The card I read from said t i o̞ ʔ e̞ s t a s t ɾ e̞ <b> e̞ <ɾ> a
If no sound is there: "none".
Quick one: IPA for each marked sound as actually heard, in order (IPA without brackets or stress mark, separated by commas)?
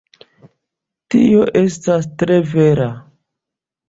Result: v, ɾ